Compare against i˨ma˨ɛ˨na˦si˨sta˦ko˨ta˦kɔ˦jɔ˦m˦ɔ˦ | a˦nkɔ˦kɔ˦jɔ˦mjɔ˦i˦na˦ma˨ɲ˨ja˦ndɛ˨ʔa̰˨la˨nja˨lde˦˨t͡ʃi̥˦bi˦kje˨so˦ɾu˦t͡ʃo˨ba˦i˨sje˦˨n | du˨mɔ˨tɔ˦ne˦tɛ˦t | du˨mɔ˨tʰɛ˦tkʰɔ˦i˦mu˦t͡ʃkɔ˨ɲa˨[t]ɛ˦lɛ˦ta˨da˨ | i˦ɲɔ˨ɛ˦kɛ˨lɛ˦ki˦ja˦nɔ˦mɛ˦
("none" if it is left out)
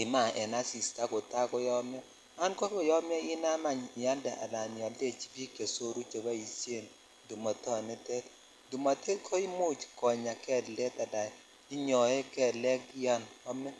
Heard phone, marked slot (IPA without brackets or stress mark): k